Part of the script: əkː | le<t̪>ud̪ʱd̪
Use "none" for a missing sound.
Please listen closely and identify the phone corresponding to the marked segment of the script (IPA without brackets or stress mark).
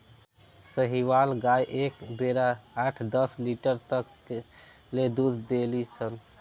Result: d̪